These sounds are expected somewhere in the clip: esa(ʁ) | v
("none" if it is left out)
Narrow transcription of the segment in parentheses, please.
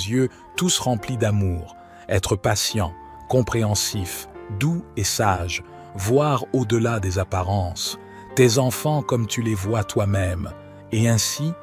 ʒ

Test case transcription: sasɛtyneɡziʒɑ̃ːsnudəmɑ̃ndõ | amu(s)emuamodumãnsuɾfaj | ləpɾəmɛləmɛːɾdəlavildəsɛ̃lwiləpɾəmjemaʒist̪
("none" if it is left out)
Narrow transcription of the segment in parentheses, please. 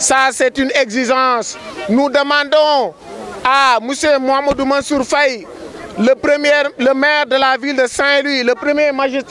s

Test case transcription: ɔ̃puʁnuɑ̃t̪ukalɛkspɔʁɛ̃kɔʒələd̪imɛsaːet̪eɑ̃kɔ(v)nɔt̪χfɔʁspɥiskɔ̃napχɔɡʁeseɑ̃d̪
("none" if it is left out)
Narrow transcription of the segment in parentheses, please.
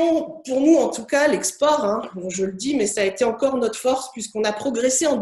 ʁ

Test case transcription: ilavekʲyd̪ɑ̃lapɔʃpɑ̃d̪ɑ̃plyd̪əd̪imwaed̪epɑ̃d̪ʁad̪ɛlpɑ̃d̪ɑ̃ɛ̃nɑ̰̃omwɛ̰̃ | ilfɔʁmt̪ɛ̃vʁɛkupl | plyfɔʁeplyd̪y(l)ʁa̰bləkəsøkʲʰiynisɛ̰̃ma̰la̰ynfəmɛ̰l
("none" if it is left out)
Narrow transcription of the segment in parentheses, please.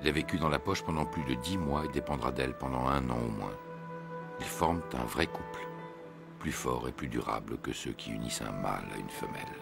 none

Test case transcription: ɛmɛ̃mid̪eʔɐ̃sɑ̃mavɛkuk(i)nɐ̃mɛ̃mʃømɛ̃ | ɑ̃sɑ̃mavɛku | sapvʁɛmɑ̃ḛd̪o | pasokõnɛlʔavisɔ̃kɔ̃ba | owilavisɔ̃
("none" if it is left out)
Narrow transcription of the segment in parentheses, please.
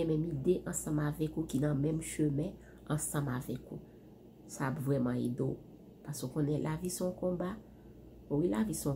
i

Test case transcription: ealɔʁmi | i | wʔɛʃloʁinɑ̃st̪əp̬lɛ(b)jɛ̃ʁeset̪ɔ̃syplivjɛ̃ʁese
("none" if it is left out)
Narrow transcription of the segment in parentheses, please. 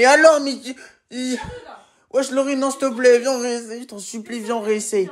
v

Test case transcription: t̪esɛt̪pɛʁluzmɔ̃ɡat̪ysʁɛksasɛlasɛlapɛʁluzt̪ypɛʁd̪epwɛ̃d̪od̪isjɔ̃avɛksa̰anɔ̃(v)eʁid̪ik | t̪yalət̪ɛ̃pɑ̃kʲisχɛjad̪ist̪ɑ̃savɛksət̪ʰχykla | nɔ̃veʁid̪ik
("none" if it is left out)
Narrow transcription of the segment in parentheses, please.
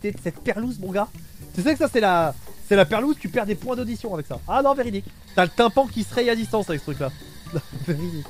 v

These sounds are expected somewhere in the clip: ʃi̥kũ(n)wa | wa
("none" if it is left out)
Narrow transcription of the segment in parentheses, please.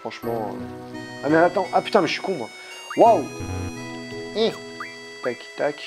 m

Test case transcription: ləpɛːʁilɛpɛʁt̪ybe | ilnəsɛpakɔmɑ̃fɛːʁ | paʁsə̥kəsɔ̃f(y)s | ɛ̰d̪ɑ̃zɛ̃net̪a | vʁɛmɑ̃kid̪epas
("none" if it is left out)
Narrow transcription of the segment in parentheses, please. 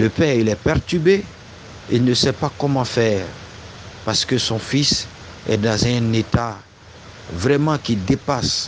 i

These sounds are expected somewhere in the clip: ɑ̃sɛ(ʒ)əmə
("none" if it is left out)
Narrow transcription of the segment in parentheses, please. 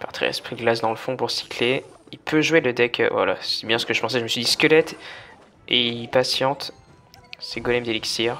ʒ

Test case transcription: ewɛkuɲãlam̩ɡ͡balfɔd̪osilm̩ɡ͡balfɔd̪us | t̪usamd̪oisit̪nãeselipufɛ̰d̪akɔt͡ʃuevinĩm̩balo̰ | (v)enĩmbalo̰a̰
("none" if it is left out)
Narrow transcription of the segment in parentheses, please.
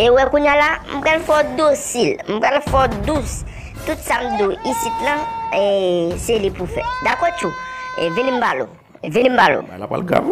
v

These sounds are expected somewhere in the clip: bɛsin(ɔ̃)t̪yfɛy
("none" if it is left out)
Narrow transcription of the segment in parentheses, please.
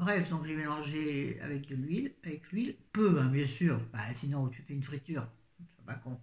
ɔ̃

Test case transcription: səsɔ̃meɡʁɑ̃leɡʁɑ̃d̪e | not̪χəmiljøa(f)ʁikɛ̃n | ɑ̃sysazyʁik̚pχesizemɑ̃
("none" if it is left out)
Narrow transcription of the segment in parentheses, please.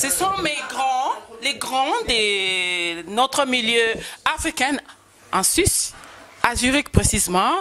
f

